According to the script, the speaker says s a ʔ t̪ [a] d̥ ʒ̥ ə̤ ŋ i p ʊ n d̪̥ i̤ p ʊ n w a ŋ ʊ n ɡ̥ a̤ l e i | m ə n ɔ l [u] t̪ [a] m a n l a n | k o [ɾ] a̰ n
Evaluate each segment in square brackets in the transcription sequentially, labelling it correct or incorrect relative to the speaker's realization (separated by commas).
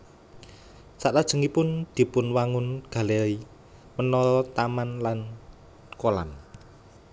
correct, incorrect, correct, incorrect